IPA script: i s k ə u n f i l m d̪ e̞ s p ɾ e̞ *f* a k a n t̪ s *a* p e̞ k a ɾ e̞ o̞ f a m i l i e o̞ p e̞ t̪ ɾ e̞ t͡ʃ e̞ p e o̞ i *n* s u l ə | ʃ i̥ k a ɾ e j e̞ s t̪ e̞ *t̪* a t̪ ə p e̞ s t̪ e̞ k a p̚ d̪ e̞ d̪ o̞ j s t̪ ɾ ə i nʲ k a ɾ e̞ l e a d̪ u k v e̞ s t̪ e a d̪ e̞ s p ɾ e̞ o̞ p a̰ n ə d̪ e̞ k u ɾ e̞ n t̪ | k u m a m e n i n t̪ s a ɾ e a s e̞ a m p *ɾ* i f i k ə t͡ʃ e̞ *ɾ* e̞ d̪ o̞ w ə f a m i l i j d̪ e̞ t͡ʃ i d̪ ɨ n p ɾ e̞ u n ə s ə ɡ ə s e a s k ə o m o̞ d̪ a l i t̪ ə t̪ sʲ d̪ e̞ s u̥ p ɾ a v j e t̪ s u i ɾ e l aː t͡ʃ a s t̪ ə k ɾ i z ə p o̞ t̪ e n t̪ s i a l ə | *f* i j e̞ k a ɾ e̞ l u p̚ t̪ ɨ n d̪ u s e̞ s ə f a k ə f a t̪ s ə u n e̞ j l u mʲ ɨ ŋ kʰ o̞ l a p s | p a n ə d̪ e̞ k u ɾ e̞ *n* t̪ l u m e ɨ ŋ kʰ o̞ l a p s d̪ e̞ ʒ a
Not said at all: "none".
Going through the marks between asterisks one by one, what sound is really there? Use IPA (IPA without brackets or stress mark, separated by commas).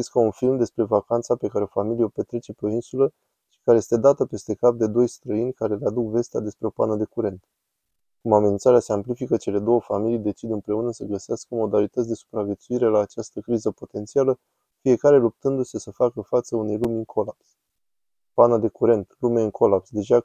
v, a, n, d̪, l, l, f, n